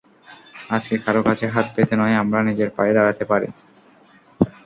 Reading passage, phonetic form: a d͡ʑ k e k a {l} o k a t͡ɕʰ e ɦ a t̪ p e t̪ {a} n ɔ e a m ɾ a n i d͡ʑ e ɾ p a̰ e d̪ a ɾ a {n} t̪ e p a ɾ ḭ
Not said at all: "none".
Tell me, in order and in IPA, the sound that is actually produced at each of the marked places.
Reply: ɾ, e, none

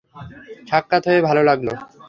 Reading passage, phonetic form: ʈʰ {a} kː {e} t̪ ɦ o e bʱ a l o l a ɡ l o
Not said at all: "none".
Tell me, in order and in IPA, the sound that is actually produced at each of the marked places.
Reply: a, a

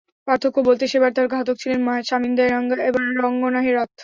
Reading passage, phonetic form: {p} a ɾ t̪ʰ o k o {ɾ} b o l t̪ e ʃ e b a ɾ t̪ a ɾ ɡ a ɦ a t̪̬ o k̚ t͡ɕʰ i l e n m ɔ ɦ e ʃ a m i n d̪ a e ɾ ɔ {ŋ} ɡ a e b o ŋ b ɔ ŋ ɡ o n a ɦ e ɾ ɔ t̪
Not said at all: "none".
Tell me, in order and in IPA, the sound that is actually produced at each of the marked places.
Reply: p, none, ŋ

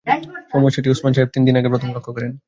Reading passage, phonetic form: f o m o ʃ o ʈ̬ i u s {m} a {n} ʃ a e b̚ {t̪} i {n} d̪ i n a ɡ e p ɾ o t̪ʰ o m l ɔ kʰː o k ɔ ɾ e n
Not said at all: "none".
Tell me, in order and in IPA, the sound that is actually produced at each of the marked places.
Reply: m, n, t̪, n

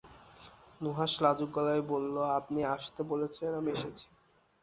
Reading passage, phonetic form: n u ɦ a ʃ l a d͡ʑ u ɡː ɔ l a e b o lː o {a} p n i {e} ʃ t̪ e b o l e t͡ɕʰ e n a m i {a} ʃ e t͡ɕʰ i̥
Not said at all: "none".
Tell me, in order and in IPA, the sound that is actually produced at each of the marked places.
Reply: a, a, e

